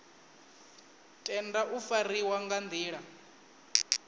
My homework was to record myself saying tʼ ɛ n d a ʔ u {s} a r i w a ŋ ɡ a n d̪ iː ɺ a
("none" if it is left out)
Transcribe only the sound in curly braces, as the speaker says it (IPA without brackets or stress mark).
f